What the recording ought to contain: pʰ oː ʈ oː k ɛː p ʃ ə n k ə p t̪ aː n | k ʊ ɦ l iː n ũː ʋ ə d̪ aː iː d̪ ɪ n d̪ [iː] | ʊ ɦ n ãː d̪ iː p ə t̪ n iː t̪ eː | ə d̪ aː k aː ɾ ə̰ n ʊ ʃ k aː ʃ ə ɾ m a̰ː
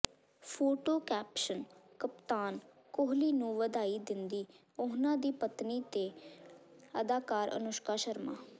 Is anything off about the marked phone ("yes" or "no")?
no